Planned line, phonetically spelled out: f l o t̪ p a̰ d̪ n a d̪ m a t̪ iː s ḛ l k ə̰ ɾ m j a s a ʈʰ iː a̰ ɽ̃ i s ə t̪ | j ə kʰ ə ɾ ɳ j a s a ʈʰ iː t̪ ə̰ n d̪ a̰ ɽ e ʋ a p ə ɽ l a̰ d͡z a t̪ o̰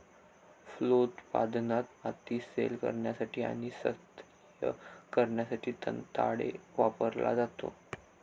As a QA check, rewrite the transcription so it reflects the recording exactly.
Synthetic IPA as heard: f l o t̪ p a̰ d̪ n a t̪ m a t̪ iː s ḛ l k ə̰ ɾ ɳ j a s a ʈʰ iː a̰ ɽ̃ i s ə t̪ | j ə k ə ɾ ɳ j a s a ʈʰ iː t̪ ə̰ n t̪ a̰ ɽ e ʋ a p ə ɾ l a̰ d͡z a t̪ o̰